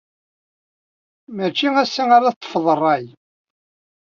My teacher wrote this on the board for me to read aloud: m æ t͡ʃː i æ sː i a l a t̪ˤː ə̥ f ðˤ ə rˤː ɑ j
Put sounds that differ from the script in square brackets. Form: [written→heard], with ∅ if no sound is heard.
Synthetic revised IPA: m æ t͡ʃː i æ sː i a [l→ɾ] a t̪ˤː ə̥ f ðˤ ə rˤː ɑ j